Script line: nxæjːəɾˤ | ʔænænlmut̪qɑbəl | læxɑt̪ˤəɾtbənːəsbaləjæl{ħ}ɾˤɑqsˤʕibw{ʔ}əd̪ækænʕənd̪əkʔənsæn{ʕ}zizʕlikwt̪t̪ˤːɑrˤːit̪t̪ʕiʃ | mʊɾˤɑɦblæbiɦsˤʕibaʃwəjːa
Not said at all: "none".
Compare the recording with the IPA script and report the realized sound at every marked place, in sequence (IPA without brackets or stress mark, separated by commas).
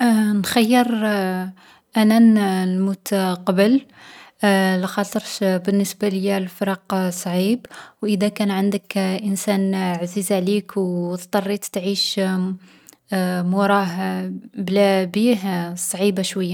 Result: f, ʔ, ʕ